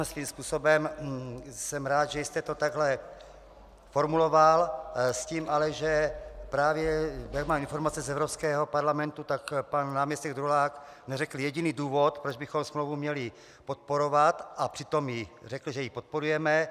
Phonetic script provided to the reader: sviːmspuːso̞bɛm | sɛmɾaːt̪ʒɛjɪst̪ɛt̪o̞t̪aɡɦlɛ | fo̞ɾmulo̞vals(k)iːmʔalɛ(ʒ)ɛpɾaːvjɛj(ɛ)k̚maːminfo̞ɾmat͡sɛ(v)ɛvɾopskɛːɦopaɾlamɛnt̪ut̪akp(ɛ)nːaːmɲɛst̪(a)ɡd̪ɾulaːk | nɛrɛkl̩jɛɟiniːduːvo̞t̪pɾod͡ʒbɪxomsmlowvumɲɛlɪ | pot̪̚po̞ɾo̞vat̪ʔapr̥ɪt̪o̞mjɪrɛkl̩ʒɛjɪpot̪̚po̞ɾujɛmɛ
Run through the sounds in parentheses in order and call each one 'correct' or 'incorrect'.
incorrect, correct, incorrect, incorrect, incorrect, incorrect

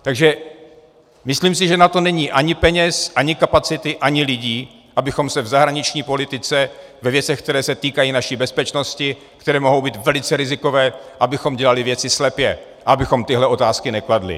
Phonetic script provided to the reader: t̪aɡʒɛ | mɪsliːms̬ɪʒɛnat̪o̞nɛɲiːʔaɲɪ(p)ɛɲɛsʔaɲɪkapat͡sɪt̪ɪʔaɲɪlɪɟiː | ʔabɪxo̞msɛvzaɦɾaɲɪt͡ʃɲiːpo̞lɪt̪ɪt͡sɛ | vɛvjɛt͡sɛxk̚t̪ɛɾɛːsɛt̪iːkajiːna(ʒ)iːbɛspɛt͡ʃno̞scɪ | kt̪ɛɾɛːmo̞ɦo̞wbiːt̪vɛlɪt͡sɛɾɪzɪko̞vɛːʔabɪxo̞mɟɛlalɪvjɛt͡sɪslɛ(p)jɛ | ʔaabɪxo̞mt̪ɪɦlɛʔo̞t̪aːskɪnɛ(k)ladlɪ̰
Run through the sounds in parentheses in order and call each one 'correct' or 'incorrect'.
correct, incorrect, correct, correct

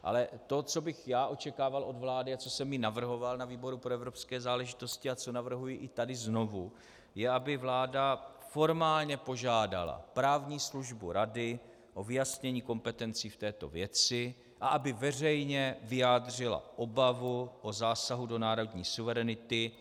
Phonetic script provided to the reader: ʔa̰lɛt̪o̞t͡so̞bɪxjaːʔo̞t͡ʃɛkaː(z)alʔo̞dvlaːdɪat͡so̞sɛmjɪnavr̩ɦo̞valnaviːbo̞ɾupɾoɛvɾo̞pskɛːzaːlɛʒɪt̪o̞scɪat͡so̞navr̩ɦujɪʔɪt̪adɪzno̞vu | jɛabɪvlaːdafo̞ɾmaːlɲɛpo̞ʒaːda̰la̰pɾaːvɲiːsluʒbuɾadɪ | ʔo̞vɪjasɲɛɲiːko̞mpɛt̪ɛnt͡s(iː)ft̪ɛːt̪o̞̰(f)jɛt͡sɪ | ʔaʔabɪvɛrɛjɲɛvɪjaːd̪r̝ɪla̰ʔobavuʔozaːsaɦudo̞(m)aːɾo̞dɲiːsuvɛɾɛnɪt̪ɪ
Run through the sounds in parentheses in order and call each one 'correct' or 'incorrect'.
incorrect, correct, incorrect, incorrect

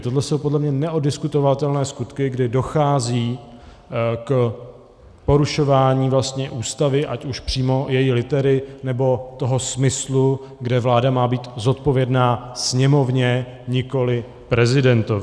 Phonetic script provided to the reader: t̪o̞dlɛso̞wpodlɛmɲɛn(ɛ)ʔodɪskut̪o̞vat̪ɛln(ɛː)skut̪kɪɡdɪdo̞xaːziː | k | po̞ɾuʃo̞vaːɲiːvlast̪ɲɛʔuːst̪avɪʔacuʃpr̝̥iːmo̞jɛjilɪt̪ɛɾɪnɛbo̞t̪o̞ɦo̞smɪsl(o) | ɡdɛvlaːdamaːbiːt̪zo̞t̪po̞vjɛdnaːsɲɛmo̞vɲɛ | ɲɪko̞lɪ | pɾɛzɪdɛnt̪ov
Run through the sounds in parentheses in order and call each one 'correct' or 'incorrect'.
correct, correct, incorrect

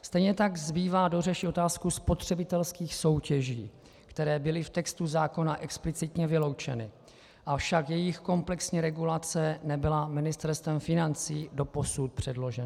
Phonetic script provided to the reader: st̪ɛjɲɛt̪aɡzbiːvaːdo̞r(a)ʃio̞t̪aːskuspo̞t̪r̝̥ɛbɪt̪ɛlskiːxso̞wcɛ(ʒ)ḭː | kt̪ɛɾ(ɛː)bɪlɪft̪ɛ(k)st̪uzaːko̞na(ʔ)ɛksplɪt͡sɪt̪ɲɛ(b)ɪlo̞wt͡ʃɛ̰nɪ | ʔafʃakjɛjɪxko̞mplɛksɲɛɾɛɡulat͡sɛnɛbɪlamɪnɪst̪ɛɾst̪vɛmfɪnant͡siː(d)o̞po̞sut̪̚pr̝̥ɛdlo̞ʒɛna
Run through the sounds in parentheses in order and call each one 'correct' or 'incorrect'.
incorrect, correct, correct, correct, correct, incorrect, correct

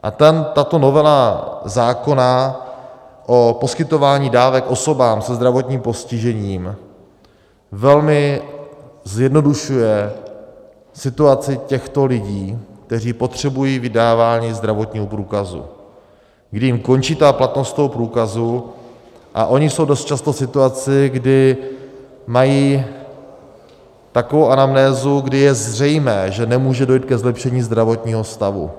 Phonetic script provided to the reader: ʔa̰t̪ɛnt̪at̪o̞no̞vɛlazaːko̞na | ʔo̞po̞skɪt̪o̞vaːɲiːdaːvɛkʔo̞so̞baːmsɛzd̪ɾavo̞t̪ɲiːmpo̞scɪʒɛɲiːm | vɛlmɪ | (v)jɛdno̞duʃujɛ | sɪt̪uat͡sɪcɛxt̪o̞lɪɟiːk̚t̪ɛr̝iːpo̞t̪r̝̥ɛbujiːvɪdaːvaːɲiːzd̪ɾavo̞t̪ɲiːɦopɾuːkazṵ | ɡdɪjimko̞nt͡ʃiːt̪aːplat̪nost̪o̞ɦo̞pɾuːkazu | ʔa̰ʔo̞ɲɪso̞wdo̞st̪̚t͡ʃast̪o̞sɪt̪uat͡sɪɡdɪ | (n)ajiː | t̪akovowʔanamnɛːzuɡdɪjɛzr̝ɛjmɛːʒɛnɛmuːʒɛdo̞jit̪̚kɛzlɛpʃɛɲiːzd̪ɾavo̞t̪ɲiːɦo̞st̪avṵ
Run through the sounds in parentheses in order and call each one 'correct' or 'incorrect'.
incorrect, incorrect

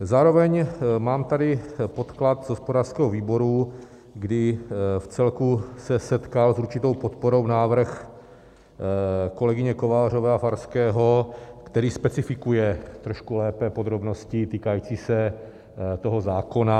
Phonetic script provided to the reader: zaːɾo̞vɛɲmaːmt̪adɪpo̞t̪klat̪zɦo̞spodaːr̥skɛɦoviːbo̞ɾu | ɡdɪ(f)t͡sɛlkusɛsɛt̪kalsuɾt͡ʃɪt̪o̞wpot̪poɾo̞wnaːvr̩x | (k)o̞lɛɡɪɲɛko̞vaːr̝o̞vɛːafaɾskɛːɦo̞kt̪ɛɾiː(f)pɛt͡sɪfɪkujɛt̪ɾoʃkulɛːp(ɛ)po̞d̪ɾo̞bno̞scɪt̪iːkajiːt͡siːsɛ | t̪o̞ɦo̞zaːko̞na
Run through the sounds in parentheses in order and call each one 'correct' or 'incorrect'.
correct, correct, incorrect, correct

